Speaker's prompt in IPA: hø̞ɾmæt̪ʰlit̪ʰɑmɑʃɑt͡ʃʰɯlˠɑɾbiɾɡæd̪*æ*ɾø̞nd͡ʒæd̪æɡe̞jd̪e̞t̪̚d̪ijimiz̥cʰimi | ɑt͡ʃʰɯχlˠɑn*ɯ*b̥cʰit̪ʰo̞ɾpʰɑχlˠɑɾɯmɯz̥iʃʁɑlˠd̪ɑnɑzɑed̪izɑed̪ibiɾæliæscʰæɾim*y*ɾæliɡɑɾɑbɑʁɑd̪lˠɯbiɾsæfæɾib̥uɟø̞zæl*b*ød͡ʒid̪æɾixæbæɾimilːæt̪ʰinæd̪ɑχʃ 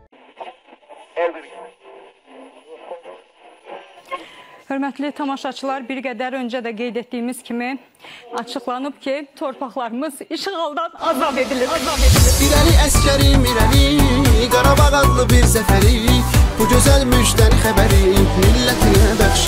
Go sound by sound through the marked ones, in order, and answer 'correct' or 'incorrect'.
correct, correct, incorrect: i, incorrect: m

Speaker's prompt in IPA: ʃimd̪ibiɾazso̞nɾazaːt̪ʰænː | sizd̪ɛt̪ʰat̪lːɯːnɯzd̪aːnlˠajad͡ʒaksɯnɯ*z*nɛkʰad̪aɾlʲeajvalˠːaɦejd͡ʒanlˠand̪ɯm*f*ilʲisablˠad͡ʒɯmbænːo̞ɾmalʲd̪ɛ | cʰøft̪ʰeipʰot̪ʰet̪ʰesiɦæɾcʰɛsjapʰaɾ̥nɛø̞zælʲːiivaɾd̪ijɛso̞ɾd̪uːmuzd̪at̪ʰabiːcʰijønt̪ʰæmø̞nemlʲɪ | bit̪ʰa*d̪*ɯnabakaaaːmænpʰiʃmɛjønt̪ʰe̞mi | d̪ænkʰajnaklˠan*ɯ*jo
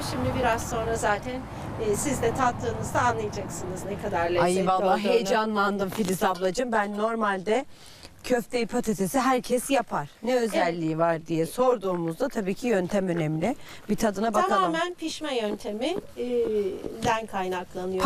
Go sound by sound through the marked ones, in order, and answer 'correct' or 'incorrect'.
correct, correct, correct, correct

